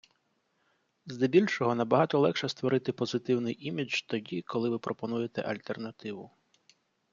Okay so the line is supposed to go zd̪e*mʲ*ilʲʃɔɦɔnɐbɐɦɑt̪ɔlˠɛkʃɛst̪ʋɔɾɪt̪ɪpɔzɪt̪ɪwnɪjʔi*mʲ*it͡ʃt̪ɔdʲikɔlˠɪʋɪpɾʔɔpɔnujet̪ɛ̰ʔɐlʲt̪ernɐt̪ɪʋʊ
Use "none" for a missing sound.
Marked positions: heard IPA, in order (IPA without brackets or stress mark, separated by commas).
bʲ, mʲ